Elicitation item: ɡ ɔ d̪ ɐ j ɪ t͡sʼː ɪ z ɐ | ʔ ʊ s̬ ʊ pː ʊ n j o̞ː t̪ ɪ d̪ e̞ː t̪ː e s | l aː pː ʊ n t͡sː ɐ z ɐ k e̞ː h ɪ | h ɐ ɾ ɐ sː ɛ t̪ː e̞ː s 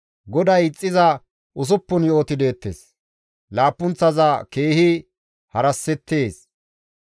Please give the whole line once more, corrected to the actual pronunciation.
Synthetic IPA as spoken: ɡ ɔ d̪ ɐ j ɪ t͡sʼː ɪ z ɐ | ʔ ʊ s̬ ʊ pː ʊ n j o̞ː t̪ ɪ d̪ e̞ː t̪ː e s | l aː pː ʊ n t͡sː ɐ z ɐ k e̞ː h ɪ | h ɐ ɾ ɐ sː ɛ t̪ː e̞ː s